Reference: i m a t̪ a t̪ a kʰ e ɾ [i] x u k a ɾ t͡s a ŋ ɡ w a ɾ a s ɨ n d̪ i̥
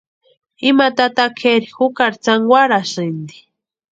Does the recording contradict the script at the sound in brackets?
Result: no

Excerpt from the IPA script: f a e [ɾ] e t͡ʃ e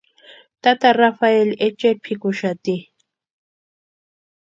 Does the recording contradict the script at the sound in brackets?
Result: yes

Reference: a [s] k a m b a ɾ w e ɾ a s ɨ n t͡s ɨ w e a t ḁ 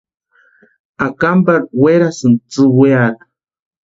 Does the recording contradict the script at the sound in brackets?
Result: yes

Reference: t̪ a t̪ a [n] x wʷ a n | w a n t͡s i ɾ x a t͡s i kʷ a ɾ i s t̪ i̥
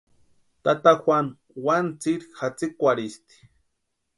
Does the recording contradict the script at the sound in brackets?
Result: yes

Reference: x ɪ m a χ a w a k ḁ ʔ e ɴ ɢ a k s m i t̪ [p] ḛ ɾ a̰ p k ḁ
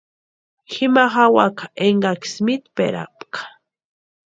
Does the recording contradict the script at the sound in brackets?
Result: no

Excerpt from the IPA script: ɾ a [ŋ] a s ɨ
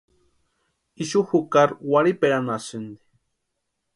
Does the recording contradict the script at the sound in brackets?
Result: yes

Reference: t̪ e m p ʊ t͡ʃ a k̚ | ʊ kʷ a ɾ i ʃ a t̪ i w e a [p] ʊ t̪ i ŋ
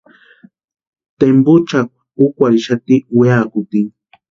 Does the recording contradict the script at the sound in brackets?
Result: yes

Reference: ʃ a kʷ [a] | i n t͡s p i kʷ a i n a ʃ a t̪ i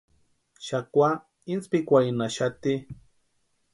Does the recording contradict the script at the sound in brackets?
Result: no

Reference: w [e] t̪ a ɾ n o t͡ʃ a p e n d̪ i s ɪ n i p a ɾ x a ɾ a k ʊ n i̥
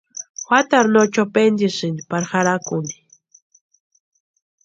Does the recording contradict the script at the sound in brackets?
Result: yes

